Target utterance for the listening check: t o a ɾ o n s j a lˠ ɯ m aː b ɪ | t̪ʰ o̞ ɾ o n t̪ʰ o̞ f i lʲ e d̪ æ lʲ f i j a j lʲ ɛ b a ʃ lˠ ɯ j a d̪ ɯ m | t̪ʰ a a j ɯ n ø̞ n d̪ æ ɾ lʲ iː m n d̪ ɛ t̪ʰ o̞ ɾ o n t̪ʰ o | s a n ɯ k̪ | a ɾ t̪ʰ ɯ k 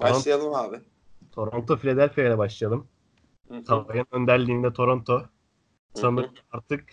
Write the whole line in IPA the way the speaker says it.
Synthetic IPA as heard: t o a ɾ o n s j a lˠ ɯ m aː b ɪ | t̪ʰ o̞ ɾ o n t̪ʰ o̞ f i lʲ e d̪ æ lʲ f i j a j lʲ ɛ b a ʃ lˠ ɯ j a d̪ ɯ m | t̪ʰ a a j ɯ n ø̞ n d̪ æ ɾ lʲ iː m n d̪ ɛ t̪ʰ o̞ ɾ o n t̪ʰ o | s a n ɯ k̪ | a ɾ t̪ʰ ɯ k